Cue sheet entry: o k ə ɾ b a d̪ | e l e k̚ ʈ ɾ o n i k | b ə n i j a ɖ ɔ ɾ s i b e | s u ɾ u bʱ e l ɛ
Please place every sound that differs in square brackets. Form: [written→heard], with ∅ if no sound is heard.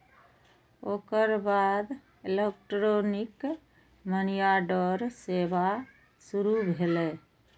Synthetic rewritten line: o k ə ɾ b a d̪ | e l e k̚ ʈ ɾ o n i k | [b→m] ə n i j a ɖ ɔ ɾ s [i→e] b [e→a] | s u ɾ u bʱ e l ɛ